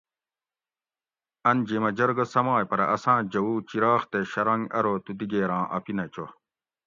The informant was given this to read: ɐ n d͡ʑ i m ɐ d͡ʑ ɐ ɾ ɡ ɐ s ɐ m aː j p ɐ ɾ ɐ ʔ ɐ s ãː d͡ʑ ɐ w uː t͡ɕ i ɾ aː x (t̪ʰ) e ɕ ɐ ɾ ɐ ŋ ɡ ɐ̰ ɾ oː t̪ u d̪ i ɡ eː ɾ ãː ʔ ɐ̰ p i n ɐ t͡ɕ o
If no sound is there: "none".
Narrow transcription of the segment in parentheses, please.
t̪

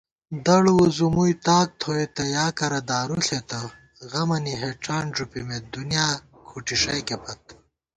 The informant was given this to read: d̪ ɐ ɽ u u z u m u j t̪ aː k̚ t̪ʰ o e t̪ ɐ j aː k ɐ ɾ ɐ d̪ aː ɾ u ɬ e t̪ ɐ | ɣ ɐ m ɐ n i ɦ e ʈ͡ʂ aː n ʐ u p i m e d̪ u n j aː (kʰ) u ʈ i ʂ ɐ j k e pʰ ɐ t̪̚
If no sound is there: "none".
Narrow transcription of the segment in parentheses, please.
kʰ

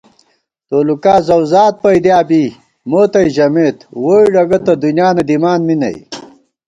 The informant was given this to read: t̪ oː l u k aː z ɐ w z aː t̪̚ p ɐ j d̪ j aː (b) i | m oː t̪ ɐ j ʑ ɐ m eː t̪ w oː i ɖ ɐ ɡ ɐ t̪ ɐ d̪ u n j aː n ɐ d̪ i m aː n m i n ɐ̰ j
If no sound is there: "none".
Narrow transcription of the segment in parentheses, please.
b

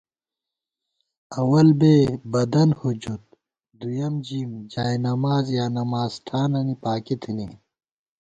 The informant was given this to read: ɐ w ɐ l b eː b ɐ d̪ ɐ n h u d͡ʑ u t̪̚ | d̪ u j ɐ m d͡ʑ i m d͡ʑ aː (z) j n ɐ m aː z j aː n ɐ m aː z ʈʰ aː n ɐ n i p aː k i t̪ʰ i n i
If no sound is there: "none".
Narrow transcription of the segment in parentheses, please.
none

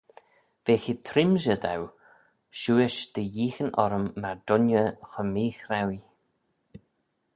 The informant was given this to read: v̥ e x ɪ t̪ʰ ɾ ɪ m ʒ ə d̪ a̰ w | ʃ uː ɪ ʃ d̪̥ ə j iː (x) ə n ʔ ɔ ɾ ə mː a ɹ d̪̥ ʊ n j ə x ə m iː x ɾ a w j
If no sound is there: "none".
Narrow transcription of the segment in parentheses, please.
x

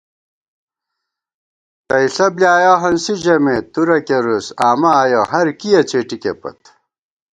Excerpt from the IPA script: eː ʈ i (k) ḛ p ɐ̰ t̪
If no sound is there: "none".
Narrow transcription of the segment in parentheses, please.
k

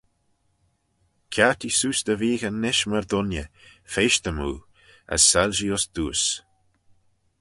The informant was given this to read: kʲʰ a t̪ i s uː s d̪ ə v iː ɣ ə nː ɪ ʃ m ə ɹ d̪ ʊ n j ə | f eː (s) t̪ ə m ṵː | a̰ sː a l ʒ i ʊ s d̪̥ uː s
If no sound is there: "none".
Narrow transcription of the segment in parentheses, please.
ʃ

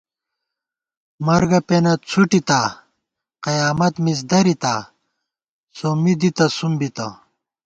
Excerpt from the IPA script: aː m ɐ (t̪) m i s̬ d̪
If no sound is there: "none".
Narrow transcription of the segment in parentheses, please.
t̪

